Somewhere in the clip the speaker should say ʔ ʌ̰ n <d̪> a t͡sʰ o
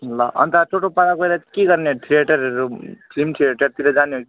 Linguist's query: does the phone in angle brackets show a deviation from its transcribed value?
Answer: yes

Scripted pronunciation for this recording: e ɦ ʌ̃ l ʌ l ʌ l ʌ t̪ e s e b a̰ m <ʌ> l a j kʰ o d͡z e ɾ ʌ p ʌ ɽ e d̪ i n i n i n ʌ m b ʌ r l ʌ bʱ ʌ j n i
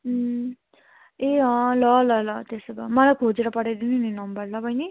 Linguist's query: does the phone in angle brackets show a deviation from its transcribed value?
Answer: no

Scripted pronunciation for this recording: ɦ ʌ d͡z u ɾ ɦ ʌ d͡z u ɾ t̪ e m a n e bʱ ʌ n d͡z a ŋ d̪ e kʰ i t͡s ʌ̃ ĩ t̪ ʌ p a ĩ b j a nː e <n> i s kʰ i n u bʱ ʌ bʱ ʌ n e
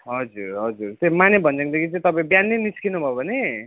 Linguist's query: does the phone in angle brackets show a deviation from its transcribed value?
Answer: no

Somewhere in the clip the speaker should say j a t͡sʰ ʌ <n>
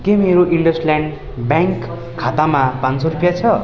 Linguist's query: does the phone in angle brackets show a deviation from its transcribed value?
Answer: yes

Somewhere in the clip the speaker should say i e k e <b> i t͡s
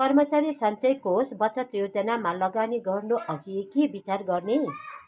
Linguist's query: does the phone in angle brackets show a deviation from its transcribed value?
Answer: no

